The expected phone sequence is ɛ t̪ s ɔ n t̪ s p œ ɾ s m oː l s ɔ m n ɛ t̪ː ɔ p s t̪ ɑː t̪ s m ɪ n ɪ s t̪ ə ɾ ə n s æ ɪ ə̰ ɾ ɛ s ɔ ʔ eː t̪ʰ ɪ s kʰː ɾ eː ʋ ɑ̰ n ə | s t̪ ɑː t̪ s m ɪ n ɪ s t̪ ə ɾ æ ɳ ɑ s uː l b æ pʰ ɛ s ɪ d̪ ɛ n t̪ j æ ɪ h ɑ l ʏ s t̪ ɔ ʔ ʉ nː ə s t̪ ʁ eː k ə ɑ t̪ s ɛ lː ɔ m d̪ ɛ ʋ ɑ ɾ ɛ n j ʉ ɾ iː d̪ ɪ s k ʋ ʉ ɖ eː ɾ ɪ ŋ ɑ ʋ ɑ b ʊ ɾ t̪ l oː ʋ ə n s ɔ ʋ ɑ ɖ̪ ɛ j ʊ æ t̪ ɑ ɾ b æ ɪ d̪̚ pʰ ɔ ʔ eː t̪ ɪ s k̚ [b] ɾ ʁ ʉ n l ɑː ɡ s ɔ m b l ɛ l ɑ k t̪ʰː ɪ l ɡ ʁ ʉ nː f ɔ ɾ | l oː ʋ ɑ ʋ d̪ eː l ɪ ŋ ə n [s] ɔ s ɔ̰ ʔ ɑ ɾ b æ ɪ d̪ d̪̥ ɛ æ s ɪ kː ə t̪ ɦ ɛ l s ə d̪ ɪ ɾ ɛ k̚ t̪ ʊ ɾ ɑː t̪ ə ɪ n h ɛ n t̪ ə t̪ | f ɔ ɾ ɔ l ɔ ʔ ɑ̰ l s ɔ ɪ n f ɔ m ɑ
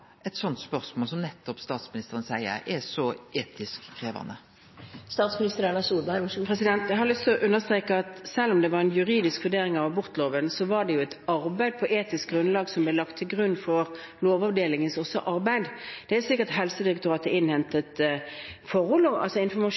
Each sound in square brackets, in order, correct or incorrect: incorrect, correct

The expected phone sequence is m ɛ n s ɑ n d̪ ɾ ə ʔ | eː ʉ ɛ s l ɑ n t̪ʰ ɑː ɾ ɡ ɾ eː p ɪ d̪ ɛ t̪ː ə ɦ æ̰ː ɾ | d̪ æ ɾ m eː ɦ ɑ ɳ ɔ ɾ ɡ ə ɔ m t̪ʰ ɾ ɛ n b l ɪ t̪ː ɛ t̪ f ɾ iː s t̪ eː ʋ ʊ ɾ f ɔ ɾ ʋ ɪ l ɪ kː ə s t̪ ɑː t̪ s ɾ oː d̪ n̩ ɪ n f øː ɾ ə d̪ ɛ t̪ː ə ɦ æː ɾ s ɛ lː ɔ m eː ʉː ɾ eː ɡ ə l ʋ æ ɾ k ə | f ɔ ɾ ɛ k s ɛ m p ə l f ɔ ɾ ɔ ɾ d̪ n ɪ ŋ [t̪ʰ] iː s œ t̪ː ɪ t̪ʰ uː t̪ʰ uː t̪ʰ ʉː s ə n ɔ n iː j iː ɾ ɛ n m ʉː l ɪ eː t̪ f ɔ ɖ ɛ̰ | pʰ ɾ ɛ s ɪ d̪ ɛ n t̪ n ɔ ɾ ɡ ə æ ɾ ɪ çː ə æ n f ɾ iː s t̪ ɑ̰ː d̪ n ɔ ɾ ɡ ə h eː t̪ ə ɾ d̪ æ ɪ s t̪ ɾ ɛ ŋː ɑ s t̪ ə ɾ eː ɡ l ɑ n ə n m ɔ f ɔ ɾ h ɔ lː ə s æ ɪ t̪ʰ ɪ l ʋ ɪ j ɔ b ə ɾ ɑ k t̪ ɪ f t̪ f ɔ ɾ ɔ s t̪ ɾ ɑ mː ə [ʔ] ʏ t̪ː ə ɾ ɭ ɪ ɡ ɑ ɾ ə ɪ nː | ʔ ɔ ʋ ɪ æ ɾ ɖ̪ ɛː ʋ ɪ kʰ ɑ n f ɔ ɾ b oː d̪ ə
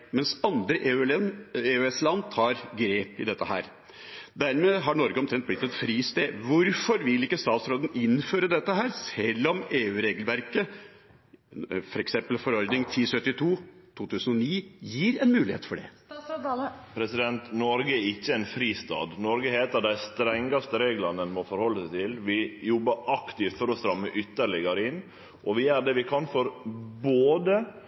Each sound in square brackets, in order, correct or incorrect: correct, correct

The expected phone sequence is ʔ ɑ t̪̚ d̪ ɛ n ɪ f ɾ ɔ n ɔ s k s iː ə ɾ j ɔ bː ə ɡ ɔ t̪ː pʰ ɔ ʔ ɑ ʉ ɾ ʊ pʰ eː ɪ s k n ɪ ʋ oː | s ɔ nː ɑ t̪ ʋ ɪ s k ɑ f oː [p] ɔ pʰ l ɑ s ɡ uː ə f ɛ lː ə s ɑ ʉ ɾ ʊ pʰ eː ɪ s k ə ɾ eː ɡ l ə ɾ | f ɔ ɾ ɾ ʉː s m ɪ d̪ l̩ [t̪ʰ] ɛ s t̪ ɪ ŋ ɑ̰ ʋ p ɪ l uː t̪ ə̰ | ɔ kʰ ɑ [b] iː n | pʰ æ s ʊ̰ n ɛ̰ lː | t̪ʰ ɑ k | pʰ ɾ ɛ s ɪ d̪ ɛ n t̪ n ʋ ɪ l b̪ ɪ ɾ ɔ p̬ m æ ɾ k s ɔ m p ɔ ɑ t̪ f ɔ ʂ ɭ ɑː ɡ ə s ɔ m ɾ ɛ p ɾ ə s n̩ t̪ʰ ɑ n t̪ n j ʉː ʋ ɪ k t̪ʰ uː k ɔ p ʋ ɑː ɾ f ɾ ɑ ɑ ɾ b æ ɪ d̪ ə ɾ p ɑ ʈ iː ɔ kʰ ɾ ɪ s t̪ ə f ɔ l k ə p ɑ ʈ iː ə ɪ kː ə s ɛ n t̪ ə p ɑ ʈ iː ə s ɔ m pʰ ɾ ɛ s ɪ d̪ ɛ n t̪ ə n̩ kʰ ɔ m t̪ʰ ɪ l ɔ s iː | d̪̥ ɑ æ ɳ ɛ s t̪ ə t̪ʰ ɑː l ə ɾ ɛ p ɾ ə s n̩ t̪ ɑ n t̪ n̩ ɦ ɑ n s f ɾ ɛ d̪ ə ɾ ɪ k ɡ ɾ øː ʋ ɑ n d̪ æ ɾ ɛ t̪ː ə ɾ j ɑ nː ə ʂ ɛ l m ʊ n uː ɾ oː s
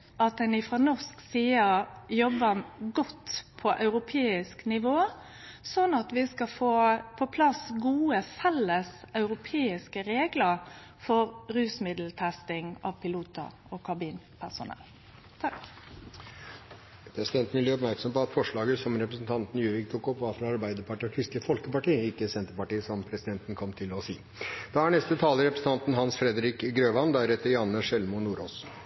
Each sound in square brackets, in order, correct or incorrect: incorrect, correct, correct

